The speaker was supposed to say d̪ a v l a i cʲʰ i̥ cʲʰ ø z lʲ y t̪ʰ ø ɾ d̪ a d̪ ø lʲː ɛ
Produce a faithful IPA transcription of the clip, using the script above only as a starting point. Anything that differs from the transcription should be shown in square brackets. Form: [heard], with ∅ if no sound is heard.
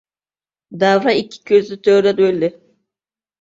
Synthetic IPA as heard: d̪ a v [ɾ] a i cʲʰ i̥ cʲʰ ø z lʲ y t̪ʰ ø ɾ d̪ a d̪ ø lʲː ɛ